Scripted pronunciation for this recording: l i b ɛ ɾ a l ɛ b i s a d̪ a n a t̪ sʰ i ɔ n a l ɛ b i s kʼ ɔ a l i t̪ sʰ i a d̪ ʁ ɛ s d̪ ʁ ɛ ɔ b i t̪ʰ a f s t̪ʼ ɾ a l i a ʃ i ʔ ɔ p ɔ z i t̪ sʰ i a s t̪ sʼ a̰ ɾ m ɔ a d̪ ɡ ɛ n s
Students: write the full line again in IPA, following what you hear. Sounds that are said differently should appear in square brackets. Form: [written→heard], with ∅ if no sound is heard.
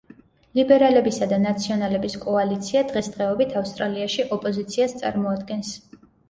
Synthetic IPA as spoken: l i b ɛ ɾ a l ɛ b i s a d̪ a n a t̪ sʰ i ɔ n a l ɛ b i s kʼ ɔ a l i t̪ sʰ i a d̪ ʁ ɛ s d̪ ʁ ɛ ɔ b i t̪ʰ a f s t̪ʼ ɾ a l i a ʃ i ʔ ɔ [p→pʼ] ɔ z i t̪ sʰ i a s t̪ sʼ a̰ ɾ m ɔ a d̪ ɡ ɛ n s